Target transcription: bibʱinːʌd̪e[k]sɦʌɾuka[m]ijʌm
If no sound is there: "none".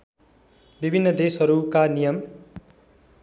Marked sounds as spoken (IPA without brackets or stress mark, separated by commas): none, n